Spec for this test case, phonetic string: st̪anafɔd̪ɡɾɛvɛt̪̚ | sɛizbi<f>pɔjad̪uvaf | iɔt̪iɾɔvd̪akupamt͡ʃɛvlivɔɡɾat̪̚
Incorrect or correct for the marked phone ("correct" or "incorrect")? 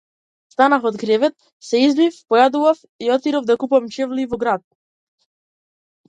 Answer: correct